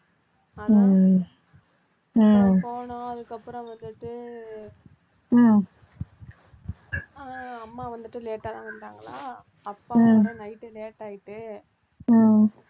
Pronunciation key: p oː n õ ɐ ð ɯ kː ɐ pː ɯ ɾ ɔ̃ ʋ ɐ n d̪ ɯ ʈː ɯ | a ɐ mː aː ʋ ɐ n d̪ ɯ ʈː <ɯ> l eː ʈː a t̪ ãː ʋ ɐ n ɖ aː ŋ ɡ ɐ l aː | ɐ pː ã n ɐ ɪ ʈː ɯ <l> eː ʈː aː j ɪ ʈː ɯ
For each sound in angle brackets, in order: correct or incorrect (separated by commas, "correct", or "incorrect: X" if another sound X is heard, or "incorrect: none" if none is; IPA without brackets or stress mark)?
correct, correct